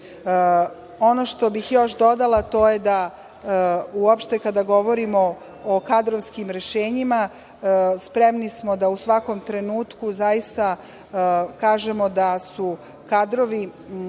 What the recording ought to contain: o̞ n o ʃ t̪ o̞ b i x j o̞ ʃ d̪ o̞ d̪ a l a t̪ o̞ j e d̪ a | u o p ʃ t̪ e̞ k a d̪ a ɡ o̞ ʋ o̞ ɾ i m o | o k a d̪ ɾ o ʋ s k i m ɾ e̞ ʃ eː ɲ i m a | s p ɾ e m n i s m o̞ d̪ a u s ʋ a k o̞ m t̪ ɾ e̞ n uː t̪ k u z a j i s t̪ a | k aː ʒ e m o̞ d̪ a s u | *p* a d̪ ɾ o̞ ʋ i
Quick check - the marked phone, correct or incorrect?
incorrect